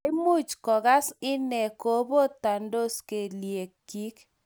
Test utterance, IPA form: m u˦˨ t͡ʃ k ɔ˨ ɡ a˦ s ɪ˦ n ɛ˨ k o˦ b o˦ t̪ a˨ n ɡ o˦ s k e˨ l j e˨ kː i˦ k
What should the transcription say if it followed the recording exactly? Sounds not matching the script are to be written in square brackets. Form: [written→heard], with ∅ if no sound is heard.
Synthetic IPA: m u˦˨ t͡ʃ k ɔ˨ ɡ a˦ s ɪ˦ n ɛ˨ k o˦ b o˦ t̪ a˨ n [ɡ→d] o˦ s k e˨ l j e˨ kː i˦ k